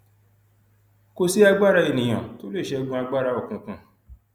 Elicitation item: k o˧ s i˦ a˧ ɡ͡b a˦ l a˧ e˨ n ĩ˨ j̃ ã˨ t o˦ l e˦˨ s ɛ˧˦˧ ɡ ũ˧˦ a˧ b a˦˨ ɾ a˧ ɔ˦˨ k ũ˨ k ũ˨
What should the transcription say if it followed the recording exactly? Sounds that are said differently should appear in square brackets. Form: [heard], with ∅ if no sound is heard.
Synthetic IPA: k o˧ s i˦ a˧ ɡ͡b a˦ [ɾ] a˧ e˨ n ĩ˨ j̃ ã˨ t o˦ l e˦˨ [ʃ] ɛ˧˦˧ ɡ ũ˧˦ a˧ [ɡ͡b] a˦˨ ɾ a˧ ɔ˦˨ k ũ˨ k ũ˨

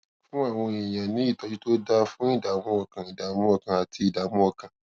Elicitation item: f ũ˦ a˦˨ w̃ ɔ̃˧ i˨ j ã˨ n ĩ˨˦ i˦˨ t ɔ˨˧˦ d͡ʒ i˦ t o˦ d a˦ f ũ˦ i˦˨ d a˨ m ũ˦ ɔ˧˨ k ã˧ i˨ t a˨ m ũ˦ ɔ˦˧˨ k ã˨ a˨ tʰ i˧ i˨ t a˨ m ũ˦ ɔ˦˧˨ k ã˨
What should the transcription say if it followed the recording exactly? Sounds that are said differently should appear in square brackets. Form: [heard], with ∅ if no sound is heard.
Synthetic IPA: f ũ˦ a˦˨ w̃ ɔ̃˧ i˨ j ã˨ n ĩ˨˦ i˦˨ t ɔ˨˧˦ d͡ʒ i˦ t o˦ d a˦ f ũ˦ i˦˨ d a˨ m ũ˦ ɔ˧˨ k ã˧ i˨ [d] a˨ m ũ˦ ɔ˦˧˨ k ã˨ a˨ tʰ i˧ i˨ [d] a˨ m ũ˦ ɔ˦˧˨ k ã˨

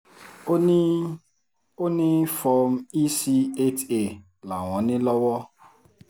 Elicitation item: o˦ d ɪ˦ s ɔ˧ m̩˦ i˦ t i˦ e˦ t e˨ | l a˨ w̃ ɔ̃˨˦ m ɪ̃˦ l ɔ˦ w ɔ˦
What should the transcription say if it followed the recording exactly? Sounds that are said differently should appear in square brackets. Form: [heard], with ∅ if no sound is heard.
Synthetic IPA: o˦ [n] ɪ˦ [f] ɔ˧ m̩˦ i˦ [s] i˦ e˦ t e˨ | l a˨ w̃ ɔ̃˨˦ [n] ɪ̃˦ l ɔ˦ w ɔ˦

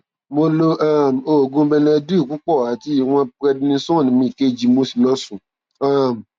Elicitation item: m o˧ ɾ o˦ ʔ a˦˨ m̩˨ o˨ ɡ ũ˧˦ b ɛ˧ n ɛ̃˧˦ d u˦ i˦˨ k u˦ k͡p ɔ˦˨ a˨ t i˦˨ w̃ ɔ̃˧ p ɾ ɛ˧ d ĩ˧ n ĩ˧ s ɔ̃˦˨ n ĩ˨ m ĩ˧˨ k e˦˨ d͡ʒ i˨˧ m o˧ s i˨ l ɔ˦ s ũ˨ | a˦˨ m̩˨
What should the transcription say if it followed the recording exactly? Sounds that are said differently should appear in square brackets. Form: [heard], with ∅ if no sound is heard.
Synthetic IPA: m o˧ [l] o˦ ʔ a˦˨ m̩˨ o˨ ɡ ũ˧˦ b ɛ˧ n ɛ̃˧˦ d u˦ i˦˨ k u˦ k͡p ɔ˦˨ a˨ t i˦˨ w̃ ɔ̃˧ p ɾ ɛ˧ d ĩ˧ n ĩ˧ s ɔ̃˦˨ n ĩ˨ m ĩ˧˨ k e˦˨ d͡ʒ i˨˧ m o˧ s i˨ l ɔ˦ s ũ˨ | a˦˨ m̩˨

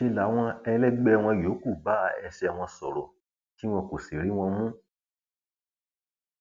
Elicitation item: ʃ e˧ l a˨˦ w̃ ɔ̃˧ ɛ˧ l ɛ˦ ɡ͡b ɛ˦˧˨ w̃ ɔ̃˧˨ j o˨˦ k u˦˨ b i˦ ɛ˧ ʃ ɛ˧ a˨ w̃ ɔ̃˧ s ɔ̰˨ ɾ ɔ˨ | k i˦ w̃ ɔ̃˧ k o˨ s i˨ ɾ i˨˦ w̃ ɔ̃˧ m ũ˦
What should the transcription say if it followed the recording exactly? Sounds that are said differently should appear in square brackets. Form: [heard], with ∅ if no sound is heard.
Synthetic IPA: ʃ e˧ l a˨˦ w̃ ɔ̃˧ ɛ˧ l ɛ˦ ɡ͡b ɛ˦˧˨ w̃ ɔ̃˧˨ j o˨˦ k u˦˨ b [a˦] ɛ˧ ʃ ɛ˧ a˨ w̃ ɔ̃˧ s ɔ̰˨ ɾ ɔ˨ | k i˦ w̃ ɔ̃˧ k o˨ s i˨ ɾ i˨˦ w̃ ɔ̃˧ m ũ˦

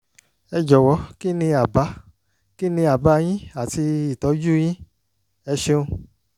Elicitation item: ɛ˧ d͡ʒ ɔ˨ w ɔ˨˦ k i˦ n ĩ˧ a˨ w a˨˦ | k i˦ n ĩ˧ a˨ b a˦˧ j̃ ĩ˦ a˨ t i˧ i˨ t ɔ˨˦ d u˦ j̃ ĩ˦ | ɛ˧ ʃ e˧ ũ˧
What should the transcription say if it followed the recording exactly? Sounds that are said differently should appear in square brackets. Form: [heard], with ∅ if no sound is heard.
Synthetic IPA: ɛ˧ d͡ʒ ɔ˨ w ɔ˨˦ k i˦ n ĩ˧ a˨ [b] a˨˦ | k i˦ n ĩ˧ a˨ b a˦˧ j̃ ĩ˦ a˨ t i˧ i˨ t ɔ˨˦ [d͡ʒ] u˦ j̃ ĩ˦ | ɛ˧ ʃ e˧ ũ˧

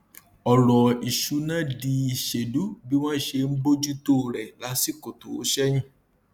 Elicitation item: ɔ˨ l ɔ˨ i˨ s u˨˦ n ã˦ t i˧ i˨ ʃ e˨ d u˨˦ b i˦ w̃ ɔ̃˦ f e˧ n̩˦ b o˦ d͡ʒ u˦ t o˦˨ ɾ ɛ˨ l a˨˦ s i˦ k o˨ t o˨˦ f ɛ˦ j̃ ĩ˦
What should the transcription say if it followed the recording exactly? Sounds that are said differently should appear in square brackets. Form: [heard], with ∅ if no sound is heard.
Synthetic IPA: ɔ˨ l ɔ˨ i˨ [ʃ] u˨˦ n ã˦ [d] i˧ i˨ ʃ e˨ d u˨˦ b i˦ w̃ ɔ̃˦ [ʃ] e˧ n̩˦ b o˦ d͡ʒ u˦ t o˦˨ ɾ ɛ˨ l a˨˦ s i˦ k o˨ t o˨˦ [ʃ] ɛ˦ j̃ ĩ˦

